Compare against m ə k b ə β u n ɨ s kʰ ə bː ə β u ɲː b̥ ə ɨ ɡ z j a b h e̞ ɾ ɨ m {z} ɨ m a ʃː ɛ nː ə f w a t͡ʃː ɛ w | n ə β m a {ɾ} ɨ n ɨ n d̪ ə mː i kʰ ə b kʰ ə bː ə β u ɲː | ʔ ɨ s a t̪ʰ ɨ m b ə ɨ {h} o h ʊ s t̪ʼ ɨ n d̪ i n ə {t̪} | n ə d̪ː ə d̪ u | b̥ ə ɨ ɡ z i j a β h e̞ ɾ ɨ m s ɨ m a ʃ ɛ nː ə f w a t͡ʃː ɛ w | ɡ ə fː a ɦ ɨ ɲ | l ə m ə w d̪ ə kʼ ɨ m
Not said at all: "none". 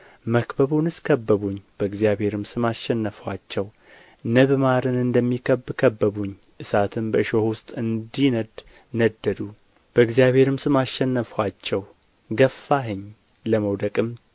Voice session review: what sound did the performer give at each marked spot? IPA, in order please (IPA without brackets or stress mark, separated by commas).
s, ɾ, ʃ, d̪